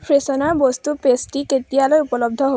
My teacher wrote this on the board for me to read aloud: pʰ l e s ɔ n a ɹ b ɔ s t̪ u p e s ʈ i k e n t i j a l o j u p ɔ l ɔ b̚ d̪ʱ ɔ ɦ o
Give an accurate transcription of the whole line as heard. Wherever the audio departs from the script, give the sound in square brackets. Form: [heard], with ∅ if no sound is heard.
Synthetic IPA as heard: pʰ [ɹ] e s ɔ n a ɹ b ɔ s t̪ u p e s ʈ i k e [∅] t i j a l o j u p ɔ l ɔ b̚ d̪ʱ ɔ ɦ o

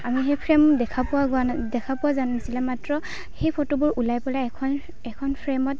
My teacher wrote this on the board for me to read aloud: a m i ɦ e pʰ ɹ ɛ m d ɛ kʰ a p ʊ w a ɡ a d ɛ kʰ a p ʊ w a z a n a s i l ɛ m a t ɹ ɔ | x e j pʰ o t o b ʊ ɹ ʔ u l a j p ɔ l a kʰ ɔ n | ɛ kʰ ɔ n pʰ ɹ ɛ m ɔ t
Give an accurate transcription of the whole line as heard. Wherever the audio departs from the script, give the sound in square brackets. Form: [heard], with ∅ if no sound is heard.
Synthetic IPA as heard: a m i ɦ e pʰ ɹ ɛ m d ɛ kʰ a p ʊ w a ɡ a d ɛ kʰ a p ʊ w a z a n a s i l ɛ m a t ɹ ɔ | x e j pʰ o t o b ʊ ɹ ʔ u l a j p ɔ l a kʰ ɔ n | ɛ kʰ ɔ n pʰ ɹ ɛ m ɔ t

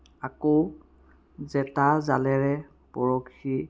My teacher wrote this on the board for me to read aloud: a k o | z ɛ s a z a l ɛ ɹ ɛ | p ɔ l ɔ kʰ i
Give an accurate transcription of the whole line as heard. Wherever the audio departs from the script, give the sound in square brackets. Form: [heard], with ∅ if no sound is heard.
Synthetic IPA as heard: a k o | z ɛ [t] a z a l ɛ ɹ ɛ | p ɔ [ɹ] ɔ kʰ i

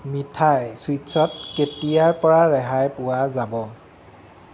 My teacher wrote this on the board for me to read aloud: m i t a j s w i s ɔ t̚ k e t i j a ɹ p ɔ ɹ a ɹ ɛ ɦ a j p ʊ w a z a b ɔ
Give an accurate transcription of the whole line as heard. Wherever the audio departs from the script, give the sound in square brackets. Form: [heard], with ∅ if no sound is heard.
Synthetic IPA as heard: m i [tʰ] a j s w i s ɔ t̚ k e t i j a ɹ p ɔ ɹ a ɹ ɛ ɦ a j p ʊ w a z a b ɔ

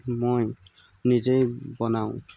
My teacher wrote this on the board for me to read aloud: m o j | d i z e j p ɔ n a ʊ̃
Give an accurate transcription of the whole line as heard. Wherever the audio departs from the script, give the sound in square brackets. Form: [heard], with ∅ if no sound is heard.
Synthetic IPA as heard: m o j | [n] i z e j [b] ɔ n a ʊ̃

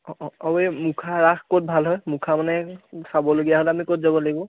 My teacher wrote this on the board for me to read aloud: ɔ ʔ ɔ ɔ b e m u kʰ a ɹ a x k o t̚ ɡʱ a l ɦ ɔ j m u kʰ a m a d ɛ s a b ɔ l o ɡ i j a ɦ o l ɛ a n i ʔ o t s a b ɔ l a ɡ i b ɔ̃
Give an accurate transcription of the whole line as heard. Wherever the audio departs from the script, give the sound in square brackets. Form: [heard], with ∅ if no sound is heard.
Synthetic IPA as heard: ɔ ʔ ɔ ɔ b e m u kʰ a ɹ a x k o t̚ [bʱ] a l ɦ ɔ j m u kʰ a m a [n] ɛ s a b ɔ l o ɡ i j a ɦ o l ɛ a [m] i [k] o t [z] a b ɔ l a ɡ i b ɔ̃

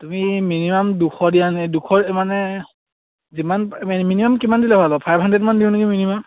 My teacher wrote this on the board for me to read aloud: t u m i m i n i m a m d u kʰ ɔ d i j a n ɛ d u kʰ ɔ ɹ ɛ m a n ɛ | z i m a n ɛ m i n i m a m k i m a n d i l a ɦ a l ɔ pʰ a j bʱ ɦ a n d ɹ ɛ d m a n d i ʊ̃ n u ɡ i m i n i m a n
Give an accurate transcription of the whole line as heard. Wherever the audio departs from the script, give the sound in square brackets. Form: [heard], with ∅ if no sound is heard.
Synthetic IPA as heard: t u m i m i n i m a m d u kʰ ɔ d i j a n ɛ d u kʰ ɔ ɹ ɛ m a n ɛ | z i m a n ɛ m i n i m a m k i m a n d i l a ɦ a l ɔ pʰ a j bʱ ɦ a n d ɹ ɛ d m a n d i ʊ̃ n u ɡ i m i n i m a [m]

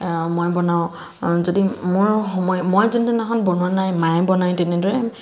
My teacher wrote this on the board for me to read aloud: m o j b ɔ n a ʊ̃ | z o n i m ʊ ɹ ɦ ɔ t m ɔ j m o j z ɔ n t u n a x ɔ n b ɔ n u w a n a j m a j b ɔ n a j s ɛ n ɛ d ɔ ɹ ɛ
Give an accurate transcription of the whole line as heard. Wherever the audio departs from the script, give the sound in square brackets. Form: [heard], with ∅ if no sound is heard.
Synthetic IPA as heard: m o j b ɔ n a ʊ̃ | z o [d] i m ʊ ɹ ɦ ɔ [∅] m ɔ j m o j z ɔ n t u n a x ɔ n b ɔ n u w a n a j m a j b ɔ n a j [t] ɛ n ɛ d ɔ ɹ ɛ

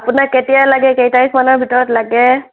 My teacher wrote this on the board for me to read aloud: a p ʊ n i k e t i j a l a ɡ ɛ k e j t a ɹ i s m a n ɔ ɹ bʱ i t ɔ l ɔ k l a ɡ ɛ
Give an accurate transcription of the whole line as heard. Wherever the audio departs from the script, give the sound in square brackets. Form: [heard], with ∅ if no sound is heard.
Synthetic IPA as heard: a p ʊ n [a] k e t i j a l a ɡ ɛ k e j t a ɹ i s m a n ɔ ɹ bʱ i t ɔ [ɹ] ɔ [t] l a ɡ ɛ

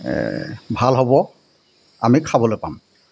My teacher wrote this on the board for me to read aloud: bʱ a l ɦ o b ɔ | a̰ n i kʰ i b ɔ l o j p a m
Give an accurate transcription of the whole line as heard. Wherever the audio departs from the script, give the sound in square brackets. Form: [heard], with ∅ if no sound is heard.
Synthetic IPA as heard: bʱ a l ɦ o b ɔ | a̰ [m] i kʰ [a] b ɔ l o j p a m

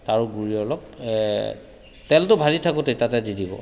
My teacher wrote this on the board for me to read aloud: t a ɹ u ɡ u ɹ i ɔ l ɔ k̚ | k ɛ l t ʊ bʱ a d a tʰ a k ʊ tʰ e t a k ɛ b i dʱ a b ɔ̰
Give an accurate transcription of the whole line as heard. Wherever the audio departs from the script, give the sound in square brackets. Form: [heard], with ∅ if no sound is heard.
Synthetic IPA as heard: t a ɹ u ɡ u ɹ i ɔ l ɔ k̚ | [t] ɛ l t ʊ bʱ a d [i] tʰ a k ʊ [t] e t a [t] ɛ [d] i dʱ [i] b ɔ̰

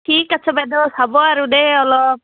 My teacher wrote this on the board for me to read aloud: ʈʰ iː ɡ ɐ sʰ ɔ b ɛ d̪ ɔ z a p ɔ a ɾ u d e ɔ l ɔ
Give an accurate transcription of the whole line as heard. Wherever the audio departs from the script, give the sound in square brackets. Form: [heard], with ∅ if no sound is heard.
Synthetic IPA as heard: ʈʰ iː [k] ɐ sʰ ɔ b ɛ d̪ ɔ [s] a [b] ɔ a ɾ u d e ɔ l ɔ

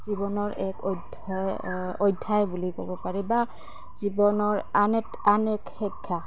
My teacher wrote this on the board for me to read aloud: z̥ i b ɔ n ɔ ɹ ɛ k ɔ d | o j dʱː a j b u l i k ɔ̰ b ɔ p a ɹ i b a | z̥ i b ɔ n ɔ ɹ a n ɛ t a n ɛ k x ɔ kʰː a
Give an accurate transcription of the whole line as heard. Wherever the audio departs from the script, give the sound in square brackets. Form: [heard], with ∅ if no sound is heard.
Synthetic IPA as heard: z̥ i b ɔ n ɔ ɹ ɛ k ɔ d | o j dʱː a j b u l i k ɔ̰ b ɔ p a ɹ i b a | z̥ i b ɔ n ɔ ɹ a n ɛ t a n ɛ k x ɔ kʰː a

